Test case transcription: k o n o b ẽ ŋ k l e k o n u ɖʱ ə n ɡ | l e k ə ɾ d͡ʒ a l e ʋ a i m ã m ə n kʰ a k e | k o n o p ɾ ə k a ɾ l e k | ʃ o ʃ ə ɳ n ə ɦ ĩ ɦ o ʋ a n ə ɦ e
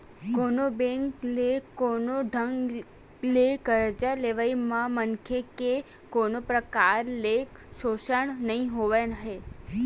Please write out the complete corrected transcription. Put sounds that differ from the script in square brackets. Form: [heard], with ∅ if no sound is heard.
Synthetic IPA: k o n o b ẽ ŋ k l e k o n [o] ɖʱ ə [ŋ] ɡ | l e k ə ɾ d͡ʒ a l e ʋ a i m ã m ə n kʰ [e] k e | k o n o p ɾ ə k a ɾ l e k | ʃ o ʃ ə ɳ n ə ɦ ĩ ɦ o ʋ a n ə ɦ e